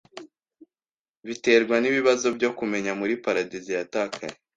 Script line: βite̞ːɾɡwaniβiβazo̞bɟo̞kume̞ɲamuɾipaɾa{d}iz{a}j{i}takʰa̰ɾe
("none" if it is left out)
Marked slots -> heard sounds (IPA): d, i, a

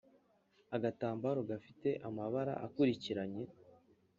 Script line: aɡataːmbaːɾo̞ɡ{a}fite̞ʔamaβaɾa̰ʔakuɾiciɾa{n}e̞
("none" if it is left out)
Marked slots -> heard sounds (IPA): a, ɲ

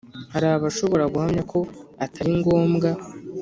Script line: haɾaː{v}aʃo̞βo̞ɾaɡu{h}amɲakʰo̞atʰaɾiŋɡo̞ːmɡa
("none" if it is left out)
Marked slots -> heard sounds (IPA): β, h

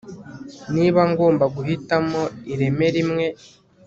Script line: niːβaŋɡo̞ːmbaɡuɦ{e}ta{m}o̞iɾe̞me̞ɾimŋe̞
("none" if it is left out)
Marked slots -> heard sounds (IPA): i, m

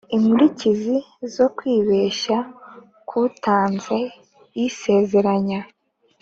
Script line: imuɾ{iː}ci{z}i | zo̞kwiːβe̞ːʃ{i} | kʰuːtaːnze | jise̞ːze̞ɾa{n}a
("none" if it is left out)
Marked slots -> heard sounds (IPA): i, z, a, ɲ

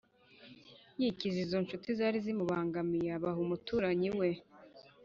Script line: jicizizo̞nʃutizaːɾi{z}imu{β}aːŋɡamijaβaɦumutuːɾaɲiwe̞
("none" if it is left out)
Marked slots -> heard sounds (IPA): z, β

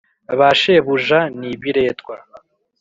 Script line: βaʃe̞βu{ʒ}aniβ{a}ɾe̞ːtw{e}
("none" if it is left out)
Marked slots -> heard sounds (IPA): ʒ, i, a

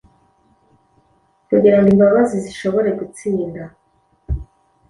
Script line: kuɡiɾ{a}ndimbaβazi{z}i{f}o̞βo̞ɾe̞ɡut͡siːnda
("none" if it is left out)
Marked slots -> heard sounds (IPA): a, z, ʃ

